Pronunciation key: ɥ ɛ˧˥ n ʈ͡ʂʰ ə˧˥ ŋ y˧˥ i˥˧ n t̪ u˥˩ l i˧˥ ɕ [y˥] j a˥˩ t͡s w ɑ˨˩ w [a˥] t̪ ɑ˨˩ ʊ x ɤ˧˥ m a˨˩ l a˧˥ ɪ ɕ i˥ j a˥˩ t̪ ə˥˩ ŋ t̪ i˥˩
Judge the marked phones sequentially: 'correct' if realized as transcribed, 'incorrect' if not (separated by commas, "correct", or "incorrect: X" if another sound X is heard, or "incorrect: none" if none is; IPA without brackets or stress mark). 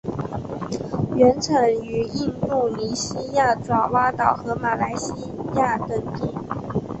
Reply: incorrect: i˥, correct